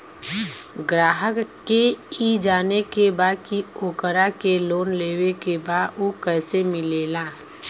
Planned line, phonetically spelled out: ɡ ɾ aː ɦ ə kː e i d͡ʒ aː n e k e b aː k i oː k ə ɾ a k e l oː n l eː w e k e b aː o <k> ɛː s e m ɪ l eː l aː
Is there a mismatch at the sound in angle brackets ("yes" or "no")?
no